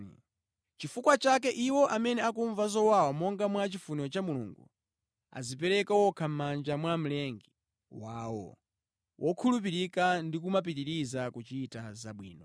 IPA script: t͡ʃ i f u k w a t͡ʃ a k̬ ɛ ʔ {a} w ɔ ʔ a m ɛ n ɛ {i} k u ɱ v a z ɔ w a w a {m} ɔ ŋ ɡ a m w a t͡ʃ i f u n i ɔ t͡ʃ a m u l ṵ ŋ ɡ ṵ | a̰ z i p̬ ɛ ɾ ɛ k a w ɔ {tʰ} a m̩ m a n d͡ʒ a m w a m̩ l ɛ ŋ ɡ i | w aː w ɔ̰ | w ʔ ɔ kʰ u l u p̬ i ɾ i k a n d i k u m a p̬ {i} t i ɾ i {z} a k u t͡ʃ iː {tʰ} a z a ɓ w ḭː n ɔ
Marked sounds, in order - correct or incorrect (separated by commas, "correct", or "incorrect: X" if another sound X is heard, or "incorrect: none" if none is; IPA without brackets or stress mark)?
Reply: incorrect: i, incorrect: a, correct, incorrect: kʰ, correct, correct, incorrect: t